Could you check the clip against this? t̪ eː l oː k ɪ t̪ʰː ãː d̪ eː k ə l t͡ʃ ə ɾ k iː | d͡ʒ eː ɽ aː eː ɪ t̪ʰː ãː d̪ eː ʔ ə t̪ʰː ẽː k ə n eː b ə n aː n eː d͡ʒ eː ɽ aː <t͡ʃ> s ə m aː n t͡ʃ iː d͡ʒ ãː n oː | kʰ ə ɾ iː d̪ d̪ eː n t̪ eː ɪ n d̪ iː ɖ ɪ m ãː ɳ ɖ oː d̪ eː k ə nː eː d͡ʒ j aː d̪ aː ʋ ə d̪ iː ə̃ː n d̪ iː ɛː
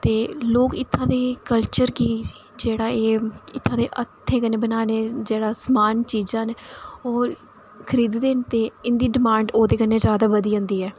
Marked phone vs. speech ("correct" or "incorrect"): incorrect